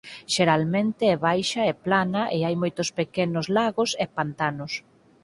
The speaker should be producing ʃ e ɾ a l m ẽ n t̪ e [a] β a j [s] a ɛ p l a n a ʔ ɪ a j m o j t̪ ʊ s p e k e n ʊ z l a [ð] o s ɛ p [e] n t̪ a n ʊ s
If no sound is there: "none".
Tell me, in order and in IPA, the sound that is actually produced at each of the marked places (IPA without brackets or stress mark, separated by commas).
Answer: ɛ, ʃ, ɣ, a